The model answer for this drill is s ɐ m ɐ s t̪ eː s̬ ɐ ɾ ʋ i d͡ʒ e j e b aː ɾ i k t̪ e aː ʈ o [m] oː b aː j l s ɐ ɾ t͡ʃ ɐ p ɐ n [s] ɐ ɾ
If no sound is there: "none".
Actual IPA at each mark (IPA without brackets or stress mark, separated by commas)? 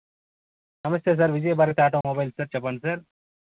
m, s